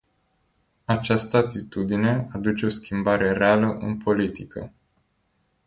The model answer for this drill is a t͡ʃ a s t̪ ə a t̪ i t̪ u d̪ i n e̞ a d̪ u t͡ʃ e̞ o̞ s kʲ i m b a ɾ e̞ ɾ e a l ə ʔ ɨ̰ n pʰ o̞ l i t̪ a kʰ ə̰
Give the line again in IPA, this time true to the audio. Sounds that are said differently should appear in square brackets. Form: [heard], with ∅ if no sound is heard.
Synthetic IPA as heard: a t͡ʃ a s t̪ ə a t̪ i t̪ u d̪ i n e̞ a d̪ u t͡ʃ e̞ o̞ s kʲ i m b a ɾ e̞ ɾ e a l ə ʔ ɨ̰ n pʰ o̞ l i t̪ [i] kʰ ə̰

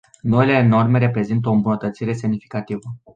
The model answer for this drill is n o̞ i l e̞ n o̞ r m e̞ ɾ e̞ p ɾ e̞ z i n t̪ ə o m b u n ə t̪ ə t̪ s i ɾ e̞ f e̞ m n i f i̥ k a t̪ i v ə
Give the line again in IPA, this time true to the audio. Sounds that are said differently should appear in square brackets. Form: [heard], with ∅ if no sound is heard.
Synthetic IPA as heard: n o̞ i l e̞ n o̞ r m e̞ ɾ e̞ p ɾ e̞ z i n t̪ ə o m b u n ə t̪ ə t̪ s i ɾ e̞ [s] e̞ m n i f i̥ k a t̪ i v ə

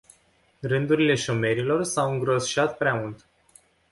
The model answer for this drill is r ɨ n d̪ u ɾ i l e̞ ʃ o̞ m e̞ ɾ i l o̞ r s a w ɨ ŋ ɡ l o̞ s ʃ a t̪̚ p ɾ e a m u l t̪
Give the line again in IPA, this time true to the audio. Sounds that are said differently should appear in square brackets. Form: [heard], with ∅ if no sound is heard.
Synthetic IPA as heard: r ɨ n d̪ u ɾ i l e̞ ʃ o̞ m e̞ ɾ i l o̞ r s a w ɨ ŋ ɡ [ɾ] o̞ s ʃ a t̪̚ p ɾ e a m u l t̪

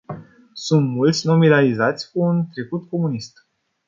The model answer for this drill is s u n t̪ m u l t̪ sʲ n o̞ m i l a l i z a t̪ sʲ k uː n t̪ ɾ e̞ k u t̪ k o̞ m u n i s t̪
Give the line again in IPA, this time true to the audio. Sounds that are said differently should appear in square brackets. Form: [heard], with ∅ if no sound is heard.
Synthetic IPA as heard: s u n t̪ m u l t̪ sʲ n o̞ m i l a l i z a t̪ sʲ k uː n t̪ ɾ e̞ k u t̪ k o̞ m u n i s t̪

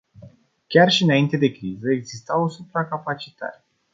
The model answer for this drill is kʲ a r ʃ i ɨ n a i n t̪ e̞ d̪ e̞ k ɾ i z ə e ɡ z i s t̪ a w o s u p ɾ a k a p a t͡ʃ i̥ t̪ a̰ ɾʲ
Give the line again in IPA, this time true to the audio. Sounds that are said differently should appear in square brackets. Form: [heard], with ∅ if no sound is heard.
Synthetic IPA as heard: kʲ a r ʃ i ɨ n a i n t̪ e̞ d̪ e̞ k ɾ i z ə e ɡ z i s t̪ a w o s u p ɾ a k a p a t͡ʃ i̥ t̪ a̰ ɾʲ

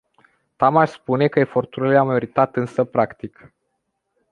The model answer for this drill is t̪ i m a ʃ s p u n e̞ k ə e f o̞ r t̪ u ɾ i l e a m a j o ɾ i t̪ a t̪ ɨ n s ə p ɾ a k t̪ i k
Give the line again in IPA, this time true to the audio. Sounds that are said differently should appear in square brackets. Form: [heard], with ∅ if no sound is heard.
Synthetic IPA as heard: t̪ [a] m a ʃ s p u n e̞ k ə e f o̞ r t̪ u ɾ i l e a m a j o ɾ i t̪ a t̪ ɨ n s ə p ɾ a k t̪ i k

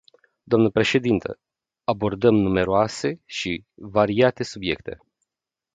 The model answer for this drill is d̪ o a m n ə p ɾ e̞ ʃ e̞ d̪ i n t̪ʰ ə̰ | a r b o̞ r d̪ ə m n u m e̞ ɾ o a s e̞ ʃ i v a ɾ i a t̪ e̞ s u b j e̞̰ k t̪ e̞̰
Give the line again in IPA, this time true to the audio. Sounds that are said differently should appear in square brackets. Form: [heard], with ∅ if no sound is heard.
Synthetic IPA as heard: d̪ o a m n ə p ɾ e̞ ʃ e̞ d̪ i n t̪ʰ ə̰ | a [∅] b o̞ r d̪ ə m n u m e̞ ɾ o a s e̞ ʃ i v a ɾ i a t̪ e̞ s u b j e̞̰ k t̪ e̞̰

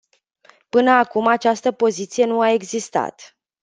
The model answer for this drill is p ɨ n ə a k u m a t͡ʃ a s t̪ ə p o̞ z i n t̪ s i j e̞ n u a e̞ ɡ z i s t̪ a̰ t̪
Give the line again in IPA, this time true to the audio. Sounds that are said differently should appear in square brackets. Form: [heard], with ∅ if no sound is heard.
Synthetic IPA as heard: p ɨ n ə a k u m a t͡ʃ a s t̪ ə p o̞ z i [∅] t̪ s i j e̞ n u a e̞ ɡ z i s t̪ a̰ t̪

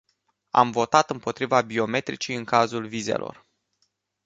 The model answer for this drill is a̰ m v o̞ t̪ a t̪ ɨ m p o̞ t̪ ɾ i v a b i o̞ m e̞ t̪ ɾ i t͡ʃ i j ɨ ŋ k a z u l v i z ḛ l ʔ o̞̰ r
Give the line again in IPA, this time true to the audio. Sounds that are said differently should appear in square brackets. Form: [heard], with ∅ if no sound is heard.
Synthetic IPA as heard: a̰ m v o̞ t̪ a t̪ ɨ m p o̞ t̪ ɾ i v a b i o̞ m e̞ t̪ ɾ i t͡ʃ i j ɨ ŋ k a z u l v i z ḛ l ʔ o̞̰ r

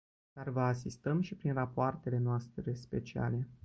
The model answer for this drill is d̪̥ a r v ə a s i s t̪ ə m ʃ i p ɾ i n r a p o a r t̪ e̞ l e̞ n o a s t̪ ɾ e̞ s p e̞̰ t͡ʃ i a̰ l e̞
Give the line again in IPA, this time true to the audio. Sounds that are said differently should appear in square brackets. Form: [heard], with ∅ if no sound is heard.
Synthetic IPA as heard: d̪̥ a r v ə a s i s t̪ ə m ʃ i p ɾ i n r a p o a r t̪ e̞ l e̞ n o a s t̪ ɾ e̞ s p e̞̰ t͡ʃ i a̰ l e̞

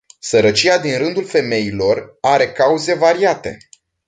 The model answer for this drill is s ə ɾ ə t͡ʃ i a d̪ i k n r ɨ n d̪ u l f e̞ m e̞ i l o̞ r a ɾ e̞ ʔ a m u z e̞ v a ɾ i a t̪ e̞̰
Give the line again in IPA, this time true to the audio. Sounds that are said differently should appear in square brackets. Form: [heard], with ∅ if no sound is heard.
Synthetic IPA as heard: s ə ɾ ə t͡ʃ i a d̪ i [∅] n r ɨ n d̪ u l f e̞ m e̞ i l o̞ r a ɾ e̞ [k] a [∅] u z e̞ v a ɾ i a t̪ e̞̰

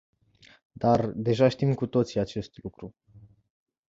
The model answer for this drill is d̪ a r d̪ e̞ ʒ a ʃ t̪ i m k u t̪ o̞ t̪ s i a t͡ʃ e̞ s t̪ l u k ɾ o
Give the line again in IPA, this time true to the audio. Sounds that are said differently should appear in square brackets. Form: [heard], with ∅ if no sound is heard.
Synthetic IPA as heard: d̪ a r d̪ e̞ ʒ a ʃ t̪ i m k u t̪ o̞ t̪ s i a t͡ʃ e̞ s t̪ l u k ɾ [u]

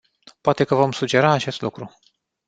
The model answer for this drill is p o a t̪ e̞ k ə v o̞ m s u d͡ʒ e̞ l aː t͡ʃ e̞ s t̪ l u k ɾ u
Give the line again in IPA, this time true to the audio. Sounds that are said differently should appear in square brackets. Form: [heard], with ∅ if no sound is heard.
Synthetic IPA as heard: p o a t̪ e̞ k ə v o̞ m s u d͡ʒ e̞ [ɾ] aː t͡ʃ e̞ s t̪ l u k ɾ u

